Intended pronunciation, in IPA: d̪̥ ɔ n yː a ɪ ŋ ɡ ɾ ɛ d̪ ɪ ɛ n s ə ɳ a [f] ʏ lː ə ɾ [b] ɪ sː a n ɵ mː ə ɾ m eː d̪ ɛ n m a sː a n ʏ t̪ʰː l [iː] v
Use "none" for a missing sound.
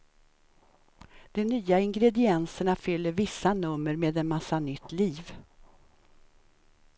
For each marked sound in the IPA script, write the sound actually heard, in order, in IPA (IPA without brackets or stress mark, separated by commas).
f, v, iː